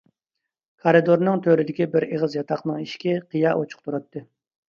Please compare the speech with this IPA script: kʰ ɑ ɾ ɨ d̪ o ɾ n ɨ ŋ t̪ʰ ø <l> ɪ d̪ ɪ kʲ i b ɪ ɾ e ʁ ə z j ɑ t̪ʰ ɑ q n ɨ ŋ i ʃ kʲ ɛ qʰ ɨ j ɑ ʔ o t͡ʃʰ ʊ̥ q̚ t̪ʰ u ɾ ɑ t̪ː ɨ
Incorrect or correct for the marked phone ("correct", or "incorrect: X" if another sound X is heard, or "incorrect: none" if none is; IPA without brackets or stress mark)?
incorrect: ɾ